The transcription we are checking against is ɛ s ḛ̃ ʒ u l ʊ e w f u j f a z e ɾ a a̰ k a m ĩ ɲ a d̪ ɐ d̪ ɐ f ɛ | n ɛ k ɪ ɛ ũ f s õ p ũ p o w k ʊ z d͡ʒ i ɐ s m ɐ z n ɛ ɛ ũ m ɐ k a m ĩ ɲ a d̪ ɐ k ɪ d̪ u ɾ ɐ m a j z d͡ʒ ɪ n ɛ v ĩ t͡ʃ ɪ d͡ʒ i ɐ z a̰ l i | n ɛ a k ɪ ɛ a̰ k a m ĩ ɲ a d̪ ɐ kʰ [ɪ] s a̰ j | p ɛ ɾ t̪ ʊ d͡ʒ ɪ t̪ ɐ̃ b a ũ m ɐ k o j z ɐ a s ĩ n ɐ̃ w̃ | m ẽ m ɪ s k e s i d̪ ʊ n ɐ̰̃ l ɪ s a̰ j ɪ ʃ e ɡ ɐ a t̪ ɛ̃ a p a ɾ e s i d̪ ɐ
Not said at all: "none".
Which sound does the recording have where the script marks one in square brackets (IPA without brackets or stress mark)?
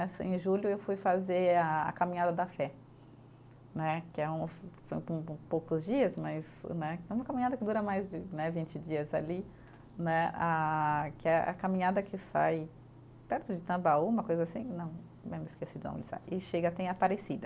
ɪ